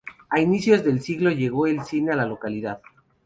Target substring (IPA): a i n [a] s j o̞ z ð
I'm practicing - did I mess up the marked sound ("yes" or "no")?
yes